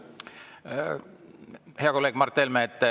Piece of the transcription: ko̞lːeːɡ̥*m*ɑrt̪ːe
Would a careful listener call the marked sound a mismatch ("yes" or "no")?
no